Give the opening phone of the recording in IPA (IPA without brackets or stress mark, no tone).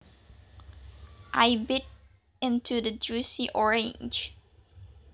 ʔ